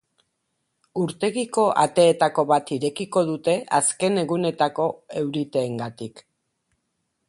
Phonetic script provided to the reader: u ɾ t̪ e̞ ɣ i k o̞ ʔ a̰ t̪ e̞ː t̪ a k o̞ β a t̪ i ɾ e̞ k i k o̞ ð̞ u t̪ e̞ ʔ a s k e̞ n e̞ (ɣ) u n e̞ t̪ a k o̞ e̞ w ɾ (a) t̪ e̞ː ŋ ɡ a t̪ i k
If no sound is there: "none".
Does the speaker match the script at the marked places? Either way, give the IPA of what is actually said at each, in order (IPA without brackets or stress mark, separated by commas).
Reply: ɣ, i